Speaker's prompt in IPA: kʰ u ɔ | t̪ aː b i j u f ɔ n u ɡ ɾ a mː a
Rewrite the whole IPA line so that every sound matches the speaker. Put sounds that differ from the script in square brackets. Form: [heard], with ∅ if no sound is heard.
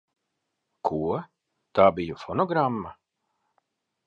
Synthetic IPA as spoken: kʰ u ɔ | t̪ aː b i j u f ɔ n [ɔ] ɡ ɾ a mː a